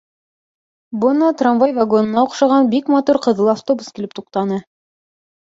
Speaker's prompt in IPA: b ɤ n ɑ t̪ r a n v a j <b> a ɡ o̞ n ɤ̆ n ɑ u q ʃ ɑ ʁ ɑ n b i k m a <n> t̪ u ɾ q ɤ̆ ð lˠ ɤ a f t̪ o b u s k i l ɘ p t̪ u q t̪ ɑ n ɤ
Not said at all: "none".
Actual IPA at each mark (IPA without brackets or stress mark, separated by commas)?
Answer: v, none